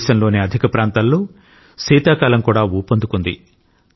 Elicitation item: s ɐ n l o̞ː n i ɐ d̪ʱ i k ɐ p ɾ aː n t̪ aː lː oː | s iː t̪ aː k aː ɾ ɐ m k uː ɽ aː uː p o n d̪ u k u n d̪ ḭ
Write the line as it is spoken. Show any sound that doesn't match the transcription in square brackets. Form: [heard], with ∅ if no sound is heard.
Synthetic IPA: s ɐ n l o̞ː n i ɐ d̪ʱ i k ɐ p ɾ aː n t̪ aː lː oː | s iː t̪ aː k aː [l] ɐ m k uː ɽ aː uː p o n d̪ u k u n d̪ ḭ